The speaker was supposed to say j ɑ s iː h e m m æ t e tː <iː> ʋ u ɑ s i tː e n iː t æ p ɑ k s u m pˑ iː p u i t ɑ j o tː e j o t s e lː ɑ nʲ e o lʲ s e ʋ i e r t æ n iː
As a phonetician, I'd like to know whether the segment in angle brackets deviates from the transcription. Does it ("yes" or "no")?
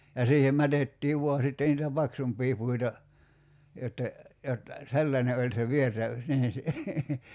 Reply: no